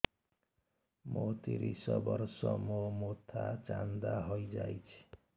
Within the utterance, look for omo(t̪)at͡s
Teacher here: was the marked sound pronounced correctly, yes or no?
no